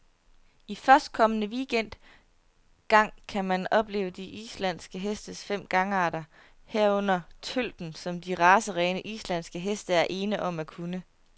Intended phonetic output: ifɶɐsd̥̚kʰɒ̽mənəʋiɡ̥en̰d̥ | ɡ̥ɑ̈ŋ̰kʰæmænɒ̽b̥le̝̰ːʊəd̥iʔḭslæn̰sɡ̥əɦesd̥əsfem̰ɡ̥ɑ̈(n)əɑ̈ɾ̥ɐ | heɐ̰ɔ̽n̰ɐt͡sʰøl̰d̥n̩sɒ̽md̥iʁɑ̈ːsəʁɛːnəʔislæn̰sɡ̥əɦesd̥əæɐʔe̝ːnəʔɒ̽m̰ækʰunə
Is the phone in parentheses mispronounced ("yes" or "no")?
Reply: yes